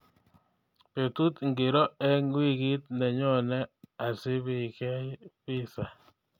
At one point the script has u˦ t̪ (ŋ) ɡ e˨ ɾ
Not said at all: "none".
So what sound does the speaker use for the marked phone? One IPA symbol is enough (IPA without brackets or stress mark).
ŋ